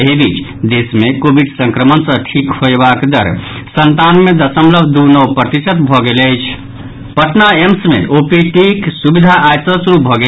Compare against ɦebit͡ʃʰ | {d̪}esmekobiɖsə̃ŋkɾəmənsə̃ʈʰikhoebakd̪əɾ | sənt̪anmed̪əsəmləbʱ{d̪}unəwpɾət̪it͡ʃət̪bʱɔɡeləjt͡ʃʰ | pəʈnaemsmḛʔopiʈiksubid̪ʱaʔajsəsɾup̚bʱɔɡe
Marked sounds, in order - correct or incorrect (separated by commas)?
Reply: correct, correct